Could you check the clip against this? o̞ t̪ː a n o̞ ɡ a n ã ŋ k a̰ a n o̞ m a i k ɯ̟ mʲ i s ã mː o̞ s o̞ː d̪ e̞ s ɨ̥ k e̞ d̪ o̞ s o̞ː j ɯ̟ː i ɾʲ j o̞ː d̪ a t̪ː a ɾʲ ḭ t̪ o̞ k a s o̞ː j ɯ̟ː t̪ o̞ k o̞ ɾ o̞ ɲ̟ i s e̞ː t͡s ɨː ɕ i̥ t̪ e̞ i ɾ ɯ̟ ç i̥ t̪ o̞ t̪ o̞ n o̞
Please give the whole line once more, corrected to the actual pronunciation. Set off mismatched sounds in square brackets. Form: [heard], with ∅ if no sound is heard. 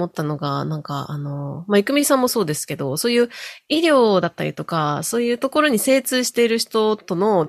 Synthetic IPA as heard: o̞ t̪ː a n o̞ ɡ a n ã ŋ k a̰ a n o̞ m a i k ɯ̟ mʲ i s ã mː o̞ s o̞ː d̪ e̞ s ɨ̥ k e̞ d̪ o̞ s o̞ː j ɯ̟ː i ɾʲ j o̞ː d̪ a t̪ː a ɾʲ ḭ t̪ o̞ k a s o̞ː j ɯ̟ː t̪ o̞ k o̞ ɾ o̞ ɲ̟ i s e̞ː t͡s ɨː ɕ i̥ t̪ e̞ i ɾ ɯ̟ ç i̥ t̪ o̞ t̪ o̞ n o̞